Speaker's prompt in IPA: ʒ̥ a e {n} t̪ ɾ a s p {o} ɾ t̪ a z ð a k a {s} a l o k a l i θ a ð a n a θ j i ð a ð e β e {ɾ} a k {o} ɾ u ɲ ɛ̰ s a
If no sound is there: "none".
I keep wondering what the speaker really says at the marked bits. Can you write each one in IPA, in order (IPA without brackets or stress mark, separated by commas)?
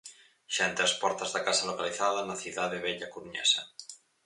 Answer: n, ɔ, s, ʎ, u